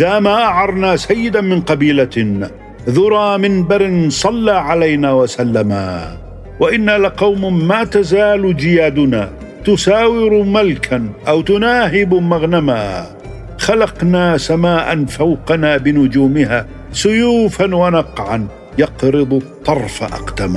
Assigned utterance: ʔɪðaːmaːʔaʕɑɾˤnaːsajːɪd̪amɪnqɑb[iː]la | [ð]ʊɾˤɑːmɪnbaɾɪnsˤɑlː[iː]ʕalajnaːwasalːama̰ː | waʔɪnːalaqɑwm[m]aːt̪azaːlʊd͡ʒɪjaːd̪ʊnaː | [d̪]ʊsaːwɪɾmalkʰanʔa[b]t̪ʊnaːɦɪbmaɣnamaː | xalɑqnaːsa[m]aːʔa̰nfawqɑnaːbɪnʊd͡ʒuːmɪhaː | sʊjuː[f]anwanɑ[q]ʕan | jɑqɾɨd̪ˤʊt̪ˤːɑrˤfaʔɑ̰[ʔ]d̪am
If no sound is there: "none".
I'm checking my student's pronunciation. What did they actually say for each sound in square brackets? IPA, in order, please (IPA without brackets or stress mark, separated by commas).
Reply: iː, ð, aː, m, t̪, w, m, f, q, q